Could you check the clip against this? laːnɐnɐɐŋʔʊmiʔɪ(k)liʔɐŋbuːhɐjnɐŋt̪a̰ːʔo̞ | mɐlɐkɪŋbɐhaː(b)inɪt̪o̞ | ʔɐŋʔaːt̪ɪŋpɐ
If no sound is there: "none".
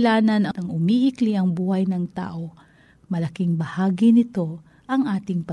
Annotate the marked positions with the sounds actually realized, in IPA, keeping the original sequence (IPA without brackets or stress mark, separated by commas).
k, ɡ